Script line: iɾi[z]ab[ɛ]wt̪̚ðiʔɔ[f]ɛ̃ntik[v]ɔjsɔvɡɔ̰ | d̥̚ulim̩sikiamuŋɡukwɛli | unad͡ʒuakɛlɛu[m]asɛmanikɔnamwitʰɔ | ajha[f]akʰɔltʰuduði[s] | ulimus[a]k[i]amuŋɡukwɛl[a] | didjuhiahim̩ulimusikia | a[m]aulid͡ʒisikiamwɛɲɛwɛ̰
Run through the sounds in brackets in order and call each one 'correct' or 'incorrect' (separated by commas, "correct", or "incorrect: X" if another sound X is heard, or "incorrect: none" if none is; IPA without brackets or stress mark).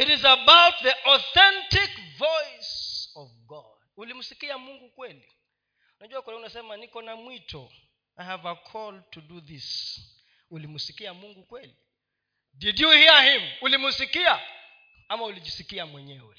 correct, incorrect: a, incorrect: θ, correct, incorrect: n, incorrect: v, correct, incorrect: i, correct, incorrect: i, correct